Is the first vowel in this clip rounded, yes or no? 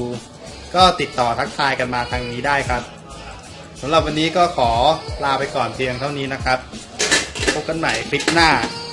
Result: yes